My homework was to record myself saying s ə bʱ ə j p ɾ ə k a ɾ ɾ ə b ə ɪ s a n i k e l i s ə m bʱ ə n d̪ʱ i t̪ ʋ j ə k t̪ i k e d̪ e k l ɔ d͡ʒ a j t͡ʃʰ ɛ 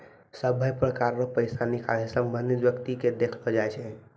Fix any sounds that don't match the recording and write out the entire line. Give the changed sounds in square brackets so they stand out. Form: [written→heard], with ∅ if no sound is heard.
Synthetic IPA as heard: s ə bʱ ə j p ɾ ə k a ɾ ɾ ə [b→p] ə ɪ s a n i k [e→a] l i s ə m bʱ ə n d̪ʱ i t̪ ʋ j ə k t̪ i k e d̪ e [k→kʰ] l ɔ d͡ʒ a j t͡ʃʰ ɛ